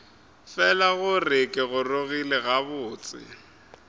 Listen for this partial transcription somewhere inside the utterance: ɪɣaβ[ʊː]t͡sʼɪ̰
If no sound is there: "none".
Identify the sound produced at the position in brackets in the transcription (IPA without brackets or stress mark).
ʊː